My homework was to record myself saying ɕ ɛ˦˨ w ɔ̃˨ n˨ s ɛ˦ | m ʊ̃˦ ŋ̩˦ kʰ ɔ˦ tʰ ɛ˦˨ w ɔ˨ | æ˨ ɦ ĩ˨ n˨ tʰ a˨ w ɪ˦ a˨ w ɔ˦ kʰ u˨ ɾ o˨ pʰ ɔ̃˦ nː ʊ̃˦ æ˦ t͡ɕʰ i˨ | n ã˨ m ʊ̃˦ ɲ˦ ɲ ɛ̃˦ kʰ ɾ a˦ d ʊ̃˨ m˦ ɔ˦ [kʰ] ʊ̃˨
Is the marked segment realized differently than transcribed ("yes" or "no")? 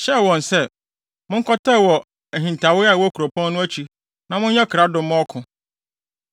no